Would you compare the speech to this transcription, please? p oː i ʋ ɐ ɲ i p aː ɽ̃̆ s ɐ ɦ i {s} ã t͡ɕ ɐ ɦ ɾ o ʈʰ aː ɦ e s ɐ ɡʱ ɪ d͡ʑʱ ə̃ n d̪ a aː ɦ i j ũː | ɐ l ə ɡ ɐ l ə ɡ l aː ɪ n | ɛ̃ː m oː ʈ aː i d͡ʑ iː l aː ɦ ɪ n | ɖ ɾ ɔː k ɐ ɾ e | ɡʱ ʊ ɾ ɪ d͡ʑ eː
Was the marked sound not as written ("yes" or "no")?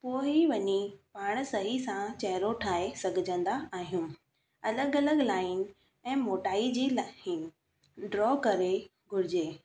no